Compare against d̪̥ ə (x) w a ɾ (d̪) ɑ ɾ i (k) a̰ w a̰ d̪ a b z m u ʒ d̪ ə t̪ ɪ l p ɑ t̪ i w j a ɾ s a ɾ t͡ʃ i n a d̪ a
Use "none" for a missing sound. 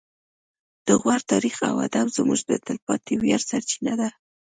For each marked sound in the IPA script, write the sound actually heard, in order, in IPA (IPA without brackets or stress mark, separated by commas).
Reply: ɣ, t̪, x